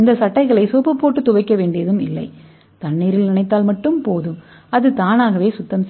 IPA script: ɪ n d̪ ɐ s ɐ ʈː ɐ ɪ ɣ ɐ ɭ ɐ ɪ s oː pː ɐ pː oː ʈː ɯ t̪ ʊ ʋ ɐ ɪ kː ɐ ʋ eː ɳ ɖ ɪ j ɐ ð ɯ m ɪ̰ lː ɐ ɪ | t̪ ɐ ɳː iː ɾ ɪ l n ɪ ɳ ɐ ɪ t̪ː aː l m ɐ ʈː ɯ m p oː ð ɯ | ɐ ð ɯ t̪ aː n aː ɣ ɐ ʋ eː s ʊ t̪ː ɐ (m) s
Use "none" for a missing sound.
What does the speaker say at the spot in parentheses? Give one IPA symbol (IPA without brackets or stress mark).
m